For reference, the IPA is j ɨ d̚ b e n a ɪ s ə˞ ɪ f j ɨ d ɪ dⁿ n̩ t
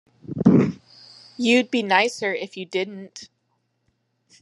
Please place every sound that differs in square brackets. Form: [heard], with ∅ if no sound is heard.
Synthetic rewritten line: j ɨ d̚ b [i] n a ɪ s ə˞ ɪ f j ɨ d ɪ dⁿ n̩ t